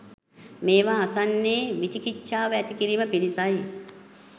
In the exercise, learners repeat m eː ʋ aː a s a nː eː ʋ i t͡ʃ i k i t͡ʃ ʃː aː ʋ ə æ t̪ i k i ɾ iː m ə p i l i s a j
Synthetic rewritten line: m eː ʋ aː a s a nː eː ʋ i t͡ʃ i k i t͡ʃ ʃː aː ʋ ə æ t̪ i k i ɾ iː m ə p i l i s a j